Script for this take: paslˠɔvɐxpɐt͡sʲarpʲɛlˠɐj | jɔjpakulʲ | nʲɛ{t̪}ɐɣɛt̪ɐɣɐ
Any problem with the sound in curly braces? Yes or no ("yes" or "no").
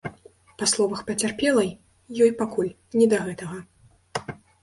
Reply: yes